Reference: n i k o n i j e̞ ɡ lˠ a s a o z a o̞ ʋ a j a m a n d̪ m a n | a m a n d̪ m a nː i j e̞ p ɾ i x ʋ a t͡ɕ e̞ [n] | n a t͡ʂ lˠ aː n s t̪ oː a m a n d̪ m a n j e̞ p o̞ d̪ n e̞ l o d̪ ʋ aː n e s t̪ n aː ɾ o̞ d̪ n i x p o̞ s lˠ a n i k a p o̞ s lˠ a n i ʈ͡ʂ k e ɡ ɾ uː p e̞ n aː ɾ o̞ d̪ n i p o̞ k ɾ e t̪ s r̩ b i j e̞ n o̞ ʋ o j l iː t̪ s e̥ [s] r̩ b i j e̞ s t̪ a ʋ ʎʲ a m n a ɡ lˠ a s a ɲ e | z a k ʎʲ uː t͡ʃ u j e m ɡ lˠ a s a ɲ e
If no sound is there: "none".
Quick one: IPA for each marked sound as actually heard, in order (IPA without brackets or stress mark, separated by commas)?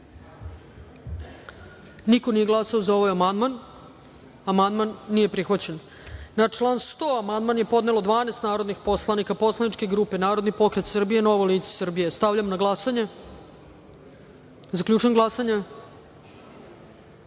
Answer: n, s